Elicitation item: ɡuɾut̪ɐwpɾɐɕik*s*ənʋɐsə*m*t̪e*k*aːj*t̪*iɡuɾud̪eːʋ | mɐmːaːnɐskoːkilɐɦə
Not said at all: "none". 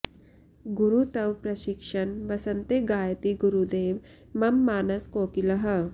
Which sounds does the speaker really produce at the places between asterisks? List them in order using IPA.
ʂ, n, ɡ, t̪

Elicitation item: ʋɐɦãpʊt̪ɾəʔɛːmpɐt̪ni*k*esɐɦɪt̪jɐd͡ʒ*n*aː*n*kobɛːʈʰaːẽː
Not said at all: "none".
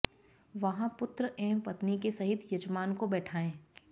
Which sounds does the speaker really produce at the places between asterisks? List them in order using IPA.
k, m, n

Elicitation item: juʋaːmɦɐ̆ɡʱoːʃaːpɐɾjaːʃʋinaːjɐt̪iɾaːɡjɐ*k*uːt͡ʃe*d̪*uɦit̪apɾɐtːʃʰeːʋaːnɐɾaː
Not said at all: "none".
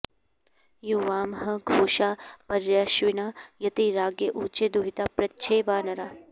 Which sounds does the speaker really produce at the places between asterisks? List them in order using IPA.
ʔ, d̪

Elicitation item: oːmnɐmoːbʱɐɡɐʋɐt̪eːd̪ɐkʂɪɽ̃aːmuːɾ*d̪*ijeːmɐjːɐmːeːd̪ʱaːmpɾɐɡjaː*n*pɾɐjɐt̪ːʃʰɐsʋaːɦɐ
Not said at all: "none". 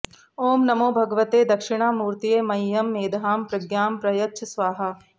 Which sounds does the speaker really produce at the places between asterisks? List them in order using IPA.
t̪, m

